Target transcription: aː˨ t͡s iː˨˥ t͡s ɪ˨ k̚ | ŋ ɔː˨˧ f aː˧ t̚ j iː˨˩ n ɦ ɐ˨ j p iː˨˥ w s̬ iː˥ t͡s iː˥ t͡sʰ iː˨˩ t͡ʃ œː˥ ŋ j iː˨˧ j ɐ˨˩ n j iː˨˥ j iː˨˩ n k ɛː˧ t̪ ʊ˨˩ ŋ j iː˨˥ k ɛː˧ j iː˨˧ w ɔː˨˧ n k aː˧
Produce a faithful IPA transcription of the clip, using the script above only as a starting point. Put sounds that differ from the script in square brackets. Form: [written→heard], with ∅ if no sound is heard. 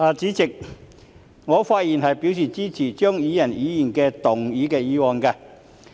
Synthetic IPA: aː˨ t͡s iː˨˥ t͡s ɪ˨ k̚ | ŋ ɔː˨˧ f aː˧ t̚ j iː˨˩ n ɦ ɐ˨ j p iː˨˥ w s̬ [iː˥→iː˨˩] t͡s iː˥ t͡sʰ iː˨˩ t͡ʃ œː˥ ŋ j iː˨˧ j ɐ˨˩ n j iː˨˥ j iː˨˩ n k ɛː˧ t̪ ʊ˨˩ ŋ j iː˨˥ k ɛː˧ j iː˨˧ w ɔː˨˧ n k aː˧